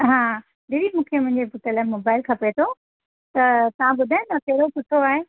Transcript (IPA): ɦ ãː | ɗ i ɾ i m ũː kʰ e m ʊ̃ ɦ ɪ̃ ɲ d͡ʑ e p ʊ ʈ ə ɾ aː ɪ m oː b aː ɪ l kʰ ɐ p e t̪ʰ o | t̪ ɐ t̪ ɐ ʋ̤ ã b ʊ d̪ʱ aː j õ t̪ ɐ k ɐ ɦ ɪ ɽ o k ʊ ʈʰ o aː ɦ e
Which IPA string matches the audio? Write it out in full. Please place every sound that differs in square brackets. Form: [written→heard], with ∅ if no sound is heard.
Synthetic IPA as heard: ɦ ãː | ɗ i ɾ i m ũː kʰ e m ʊ̃ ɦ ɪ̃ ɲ d͡ʑ e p ʊ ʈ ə [ɾ→l] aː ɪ m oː b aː ɪ l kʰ ɐ p e t̪ʰ o | t̪ ɐ t̪ ɐ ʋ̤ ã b ʊ d̪ʱ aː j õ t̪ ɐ k ɐ ɦ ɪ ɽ o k ʊ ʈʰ o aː ɦ e